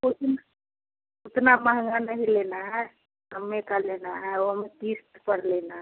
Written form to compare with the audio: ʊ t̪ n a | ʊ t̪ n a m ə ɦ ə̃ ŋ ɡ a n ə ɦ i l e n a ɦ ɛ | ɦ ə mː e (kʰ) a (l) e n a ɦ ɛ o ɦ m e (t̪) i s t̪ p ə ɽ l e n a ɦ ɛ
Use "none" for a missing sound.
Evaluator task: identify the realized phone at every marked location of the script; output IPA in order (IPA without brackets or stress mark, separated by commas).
k, l, t̪